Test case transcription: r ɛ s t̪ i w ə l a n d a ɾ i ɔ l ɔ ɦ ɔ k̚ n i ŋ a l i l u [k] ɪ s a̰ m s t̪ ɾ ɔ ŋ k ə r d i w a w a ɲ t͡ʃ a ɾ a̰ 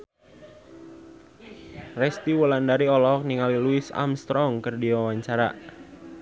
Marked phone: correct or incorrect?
incorrect